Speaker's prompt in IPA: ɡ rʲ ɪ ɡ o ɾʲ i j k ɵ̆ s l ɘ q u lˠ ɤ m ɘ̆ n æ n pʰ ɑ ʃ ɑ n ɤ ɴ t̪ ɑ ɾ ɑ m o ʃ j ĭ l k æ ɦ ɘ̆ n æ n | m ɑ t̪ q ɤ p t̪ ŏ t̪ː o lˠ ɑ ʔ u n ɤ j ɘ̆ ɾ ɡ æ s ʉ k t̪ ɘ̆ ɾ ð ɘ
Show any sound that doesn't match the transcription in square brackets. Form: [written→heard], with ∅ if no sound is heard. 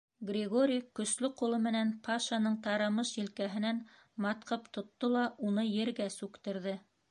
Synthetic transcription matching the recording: ɡ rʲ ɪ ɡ o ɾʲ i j k ɵ̆ s l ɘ q u lˠ ɤ m ɘ̆ n æ n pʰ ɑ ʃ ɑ n ɤ ɴ t̪ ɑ ɾ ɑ m [o→ɤ] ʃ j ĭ l k æ ɦ ɘ̆ n æ n | m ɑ t̪ q ɤ p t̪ ŏ t̪ː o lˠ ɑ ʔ u n ɤ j ɘ̆ ɾ ɡ æ s ʉ k t̪ ɘ̆ ɾ ð ɘ